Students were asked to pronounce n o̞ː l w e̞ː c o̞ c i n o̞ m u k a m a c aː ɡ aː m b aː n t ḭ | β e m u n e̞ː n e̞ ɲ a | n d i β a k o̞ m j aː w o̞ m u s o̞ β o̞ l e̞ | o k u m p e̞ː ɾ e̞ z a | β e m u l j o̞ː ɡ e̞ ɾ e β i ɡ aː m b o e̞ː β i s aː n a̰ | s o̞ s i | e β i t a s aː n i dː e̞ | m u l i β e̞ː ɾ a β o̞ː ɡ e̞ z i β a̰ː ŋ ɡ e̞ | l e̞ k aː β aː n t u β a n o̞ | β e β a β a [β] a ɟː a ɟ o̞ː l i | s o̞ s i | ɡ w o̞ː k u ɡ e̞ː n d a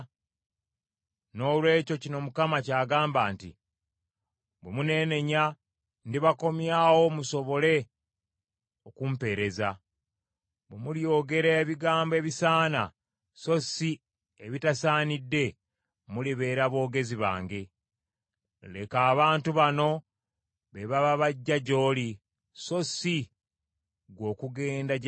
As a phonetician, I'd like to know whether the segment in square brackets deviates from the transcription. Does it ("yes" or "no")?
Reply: no